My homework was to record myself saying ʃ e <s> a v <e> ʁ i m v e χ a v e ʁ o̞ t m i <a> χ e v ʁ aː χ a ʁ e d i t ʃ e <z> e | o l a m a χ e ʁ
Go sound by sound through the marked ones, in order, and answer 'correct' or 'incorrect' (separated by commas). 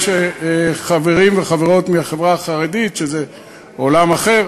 incorrect, correct, correct, correct